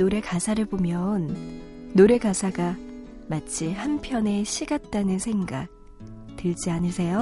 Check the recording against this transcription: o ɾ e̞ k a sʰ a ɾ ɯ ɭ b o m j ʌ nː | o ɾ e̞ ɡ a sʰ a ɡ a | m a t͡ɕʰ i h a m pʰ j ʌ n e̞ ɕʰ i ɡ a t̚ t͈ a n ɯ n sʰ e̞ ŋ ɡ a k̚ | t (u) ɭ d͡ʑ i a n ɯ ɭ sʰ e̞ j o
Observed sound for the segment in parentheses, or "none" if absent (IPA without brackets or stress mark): ɯ